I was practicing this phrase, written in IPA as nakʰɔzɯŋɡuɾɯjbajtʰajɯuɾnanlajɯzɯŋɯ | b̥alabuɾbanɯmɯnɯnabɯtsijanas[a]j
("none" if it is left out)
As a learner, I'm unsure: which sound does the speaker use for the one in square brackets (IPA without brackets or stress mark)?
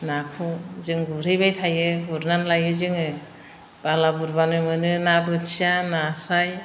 a